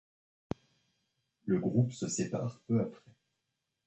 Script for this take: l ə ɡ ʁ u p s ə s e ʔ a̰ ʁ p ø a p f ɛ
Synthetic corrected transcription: l ə ɡ ʁ u p s ə s e p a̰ ʁ p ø a p χ ɛ